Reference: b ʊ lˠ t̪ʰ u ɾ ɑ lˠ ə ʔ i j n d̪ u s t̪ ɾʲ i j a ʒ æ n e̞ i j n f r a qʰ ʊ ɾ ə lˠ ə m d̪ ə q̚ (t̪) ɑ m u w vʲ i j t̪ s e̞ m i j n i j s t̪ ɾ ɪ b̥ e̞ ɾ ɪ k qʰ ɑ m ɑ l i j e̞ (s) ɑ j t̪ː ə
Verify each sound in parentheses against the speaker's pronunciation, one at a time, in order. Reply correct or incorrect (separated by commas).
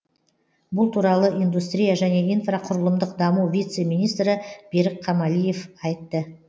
incorrect, incorrect